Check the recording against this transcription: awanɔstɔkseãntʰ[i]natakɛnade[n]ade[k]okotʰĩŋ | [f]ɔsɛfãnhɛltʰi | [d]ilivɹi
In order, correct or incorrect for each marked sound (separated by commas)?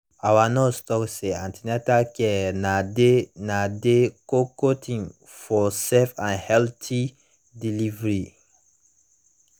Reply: correct, correct, correct, correct, correct